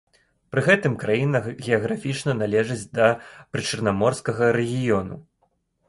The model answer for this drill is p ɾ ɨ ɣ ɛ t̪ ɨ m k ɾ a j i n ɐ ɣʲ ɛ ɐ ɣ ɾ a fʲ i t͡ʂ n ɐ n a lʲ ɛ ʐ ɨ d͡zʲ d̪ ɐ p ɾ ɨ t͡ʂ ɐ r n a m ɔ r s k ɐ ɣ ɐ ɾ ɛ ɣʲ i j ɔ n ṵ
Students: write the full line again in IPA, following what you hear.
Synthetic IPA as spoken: p ɾ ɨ ɣ ɛ t̪ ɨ m k ɾ a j i n ɐ ɣʲ ɛ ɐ ɣ ɾ a fʲ i t͡ʂ n ɐ n a lʲ ɛ ʐ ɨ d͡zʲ d̪ ɐ p ɾ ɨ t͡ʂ ɐ r n a m ɔ r s k ɐ ɣ ɐ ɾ ɛ ɣʲ i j ɔ n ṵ